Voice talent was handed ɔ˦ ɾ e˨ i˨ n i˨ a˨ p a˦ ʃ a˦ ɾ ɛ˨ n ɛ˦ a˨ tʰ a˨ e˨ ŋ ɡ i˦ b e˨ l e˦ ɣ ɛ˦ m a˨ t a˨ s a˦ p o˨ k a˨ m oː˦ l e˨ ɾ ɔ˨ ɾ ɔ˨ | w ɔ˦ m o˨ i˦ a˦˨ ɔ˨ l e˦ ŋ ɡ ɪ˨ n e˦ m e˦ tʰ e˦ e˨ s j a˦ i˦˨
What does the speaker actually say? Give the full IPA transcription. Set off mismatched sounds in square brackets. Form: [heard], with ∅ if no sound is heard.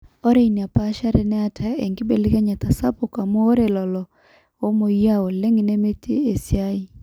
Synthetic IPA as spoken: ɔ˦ ɾ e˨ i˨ n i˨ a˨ p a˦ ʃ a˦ ɾ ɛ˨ n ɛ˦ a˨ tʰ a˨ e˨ ŋ ɡ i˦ b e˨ l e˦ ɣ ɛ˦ [ɲ] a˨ t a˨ s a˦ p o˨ k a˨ m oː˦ [ɾ] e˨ [l] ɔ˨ [l] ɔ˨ | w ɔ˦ m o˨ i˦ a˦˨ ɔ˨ l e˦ ŋ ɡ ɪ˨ n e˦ m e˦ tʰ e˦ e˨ s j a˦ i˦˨